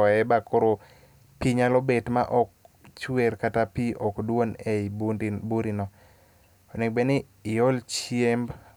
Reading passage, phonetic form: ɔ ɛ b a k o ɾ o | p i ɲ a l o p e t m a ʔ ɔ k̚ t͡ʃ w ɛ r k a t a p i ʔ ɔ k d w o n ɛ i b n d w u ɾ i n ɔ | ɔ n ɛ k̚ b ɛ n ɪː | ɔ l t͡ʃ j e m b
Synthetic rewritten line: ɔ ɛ b a k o ɾ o | p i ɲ a l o b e t m a ʔ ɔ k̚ t͡ʃ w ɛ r k a t a p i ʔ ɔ k d w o n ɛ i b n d b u ɾ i n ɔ | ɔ n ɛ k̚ b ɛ n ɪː | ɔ l t͡ʃ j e m b